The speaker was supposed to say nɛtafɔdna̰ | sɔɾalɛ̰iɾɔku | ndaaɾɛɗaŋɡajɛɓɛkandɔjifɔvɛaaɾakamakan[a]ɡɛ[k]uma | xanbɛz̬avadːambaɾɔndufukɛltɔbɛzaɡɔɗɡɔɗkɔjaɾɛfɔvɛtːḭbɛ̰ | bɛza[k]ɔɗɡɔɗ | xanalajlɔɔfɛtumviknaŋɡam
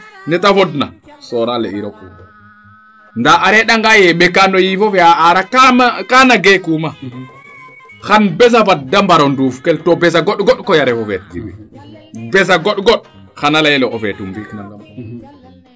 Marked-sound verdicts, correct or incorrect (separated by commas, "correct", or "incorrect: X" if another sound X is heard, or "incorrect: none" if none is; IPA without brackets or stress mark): correct, correct, incorrect: ɡ